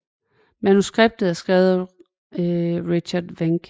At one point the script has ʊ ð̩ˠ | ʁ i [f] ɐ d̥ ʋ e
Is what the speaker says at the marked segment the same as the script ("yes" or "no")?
no